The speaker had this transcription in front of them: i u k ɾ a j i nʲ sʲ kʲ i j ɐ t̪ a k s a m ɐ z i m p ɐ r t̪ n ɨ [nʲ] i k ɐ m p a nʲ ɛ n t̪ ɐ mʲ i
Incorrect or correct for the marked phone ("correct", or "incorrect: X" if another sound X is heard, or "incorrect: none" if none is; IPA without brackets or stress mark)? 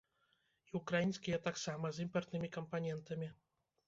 incorrect: mʲ